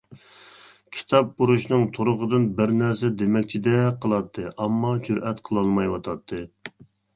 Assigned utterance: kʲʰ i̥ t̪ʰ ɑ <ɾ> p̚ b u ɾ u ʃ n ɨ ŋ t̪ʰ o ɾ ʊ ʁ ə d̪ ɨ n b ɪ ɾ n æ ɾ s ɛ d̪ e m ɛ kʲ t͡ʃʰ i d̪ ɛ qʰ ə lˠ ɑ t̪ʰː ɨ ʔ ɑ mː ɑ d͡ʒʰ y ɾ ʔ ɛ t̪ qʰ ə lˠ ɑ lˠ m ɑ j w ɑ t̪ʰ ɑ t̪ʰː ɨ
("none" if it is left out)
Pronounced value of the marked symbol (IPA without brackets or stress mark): none